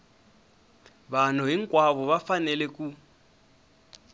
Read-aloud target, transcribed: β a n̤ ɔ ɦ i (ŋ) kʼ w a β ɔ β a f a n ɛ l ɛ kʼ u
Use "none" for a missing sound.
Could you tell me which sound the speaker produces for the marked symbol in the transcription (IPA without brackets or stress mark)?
ŋ